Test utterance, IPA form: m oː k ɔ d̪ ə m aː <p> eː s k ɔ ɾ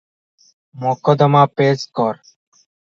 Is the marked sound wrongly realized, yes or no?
no